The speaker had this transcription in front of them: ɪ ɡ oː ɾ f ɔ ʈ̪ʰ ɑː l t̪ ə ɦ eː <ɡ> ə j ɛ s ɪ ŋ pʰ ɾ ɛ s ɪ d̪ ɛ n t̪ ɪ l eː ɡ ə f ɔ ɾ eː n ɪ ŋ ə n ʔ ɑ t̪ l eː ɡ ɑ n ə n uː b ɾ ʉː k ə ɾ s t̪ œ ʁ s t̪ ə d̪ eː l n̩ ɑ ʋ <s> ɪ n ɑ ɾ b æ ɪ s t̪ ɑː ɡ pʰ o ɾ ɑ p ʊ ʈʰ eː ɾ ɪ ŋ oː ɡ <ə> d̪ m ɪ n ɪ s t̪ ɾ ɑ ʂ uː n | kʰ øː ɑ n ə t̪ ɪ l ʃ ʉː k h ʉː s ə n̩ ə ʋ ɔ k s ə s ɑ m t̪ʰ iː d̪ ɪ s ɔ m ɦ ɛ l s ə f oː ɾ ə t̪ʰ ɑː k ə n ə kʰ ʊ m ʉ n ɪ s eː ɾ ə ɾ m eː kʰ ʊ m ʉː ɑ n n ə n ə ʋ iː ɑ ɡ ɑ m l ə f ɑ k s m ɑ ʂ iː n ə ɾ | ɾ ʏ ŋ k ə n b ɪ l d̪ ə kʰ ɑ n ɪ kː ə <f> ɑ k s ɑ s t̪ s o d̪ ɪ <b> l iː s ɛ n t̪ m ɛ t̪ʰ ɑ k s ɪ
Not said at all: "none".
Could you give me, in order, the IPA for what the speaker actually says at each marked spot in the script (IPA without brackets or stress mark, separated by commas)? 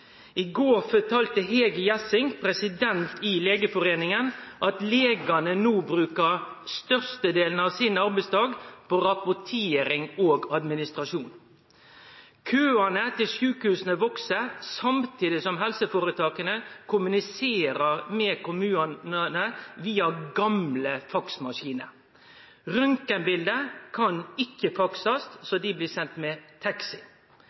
ɡ, s, ɑ, f, b